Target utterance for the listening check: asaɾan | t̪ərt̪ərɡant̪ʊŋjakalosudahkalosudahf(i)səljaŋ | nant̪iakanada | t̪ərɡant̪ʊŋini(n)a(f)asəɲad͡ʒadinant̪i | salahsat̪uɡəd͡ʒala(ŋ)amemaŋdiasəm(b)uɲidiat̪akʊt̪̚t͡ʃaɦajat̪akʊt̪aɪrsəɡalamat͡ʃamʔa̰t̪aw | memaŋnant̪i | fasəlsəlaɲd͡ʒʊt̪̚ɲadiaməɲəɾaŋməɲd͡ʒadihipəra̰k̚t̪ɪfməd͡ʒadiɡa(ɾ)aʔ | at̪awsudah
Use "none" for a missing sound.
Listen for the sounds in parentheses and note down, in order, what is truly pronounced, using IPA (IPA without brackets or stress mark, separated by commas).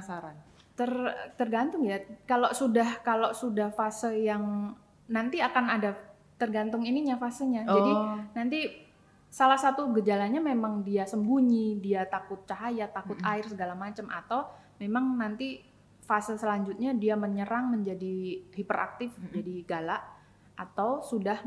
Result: a, ɲ, f, ɲ, b, l